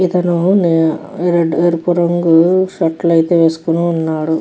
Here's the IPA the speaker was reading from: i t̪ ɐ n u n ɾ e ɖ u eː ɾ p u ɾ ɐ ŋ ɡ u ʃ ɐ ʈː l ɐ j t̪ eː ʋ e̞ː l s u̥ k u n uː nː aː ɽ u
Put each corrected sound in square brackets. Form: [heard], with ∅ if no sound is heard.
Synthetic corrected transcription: i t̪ ɐ n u n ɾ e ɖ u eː ɾ p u ɾ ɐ ŋ ɡ u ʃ ɐ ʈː l ɐ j t̪ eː ʋ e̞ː [∅] s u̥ k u n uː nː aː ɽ u